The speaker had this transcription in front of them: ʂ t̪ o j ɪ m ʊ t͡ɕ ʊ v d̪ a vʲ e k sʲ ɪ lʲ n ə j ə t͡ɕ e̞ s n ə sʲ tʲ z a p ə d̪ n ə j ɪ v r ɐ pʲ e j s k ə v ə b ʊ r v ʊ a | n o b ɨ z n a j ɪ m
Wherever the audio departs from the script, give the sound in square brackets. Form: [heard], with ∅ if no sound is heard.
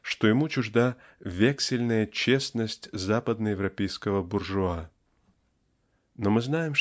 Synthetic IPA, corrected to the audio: ʂ t̪ o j ɪ m [u] t͡ɕ ʊ [ʐ] d̪ a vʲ e k sʲ ɪ lʲ n ə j ə t͡ɕ e̞ s n ə sʲ tʲ z a p ə d̪ n ə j ɪ v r ɐ pʲ e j s k ə v ə b ʊ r [ʐ] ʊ a | n o [m] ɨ z n a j ɪ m